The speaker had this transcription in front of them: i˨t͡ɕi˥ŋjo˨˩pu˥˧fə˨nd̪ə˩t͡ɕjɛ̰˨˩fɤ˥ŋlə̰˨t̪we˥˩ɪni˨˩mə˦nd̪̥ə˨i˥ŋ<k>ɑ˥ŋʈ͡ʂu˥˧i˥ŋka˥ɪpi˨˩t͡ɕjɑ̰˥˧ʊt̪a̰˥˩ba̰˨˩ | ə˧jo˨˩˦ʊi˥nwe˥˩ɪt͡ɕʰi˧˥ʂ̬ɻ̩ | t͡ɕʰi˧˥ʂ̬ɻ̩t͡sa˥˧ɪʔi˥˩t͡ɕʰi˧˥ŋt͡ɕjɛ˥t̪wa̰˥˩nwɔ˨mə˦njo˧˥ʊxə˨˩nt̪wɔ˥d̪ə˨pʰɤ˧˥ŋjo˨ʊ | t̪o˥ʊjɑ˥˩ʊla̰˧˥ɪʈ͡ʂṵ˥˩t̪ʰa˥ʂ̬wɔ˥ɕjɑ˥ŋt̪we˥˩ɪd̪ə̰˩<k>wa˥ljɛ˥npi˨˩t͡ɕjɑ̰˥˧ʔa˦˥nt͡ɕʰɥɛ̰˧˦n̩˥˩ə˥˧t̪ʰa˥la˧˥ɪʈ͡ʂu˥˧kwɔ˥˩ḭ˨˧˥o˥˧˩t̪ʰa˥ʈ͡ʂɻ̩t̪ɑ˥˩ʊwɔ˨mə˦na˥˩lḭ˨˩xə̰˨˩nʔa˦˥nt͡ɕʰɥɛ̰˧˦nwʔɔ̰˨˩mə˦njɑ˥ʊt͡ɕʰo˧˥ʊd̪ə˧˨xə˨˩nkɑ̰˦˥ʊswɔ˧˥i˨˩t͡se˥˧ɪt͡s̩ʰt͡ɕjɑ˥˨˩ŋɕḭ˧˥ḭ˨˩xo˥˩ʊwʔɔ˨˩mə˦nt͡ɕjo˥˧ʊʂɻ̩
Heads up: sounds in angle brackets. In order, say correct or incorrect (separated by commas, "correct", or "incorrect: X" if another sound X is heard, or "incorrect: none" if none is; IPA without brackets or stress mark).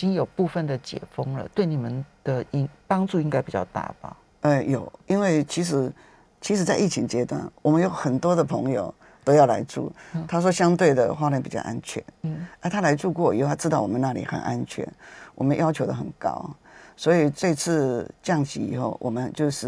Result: incorrect: p, incorrect: x